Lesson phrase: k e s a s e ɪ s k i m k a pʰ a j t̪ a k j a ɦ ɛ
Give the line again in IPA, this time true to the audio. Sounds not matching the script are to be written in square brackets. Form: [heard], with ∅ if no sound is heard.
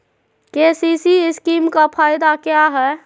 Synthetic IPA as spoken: k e s [i] s [i] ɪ s k i m k a pʰ a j [d̪] a k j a ɦ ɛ

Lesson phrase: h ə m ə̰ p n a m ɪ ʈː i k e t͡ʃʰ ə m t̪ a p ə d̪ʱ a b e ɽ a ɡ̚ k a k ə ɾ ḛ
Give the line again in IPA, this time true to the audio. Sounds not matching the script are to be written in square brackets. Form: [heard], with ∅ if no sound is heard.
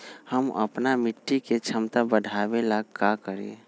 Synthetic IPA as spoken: h ə m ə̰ p n a m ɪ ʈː i k e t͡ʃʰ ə m t̪ a [b] ə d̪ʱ a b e [l] a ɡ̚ k a k ə ɾ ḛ

